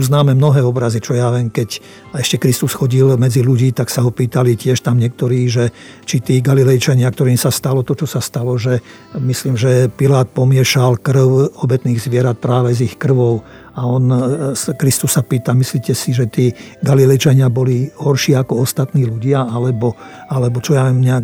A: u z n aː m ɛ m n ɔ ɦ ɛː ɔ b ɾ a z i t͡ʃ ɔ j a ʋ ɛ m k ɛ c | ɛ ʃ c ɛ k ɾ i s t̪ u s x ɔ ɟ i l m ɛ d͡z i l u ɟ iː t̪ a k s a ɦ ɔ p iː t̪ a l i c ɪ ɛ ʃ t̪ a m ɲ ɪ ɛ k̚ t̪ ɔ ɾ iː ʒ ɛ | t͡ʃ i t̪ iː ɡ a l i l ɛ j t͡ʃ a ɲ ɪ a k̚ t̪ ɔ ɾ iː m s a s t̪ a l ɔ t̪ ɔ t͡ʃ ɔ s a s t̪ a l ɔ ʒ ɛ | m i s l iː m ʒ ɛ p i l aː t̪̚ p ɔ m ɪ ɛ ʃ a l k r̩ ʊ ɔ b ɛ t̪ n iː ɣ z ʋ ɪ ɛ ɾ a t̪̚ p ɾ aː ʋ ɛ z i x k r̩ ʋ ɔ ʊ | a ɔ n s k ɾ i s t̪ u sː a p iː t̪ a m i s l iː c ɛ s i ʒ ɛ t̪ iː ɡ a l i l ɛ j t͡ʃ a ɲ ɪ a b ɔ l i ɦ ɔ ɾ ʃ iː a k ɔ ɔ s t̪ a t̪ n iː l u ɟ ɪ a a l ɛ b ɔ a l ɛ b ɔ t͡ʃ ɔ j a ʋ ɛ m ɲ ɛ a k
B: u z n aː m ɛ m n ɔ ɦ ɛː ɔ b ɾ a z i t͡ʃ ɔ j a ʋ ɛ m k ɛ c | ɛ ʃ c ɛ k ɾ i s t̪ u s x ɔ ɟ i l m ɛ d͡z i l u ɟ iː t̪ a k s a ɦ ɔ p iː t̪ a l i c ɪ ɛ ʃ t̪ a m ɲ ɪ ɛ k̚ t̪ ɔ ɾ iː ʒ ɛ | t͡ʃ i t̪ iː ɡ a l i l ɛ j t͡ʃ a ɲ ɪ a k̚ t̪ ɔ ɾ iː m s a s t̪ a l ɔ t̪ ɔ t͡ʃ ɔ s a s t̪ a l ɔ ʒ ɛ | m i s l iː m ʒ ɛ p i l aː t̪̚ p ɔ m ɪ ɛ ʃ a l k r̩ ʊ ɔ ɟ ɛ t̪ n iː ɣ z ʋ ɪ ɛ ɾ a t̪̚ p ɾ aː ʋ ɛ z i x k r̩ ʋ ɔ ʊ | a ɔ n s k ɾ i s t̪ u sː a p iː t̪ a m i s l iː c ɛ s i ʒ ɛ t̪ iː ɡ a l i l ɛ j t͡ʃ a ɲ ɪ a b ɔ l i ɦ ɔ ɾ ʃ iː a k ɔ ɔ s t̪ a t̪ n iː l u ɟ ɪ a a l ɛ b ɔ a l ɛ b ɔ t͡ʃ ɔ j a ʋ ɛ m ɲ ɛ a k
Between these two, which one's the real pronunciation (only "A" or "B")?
A